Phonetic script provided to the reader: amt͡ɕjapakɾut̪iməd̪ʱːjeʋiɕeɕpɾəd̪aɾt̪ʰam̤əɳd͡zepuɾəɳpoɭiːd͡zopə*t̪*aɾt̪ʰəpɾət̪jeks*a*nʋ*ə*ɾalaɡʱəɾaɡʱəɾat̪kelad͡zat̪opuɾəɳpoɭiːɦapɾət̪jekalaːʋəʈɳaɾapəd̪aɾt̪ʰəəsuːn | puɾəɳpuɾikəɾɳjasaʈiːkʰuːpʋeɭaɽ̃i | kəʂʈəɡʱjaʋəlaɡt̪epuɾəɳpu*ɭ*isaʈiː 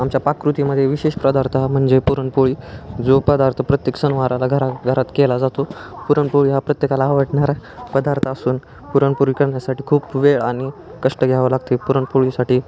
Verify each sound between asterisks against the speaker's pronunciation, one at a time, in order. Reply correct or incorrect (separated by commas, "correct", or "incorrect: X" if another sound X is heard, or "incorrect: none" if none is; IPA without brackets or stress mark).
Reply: incorrect: d̪, incorrect: ə, incorrect: a, correct